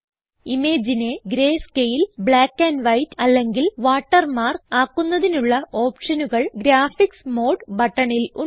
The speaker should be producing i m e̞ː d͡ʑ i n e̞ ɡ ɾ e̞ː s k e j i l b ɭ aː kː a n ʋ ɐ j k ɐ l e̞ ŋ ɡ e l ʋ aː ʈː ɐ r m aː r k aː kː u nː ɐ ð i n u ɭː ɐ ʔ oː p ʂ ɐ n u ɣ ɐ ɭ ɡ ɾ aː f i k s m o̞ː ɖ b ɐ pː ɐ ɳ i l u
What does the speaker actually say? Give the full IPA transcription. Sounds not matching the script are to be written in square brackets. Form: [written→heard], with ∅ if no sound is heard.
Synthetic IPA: i m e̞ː d͡ʑ i n e̞ ɡ ɾ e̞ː s k e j i l b ɭ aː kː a n ʋ ɐ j [k→t] ɐ [l→lː] e̞ ŋ ɡ [e→i] l ʋ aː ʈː ɐ r m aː r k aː kː u nː ɐ ð i n u ɭː ɐ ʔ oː p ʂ ɐ n u ɣ ɐ ɭ ɡ ɾ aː f i k s m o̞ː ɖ b ɐ [pː→ʈː] ɐ ɳ i l u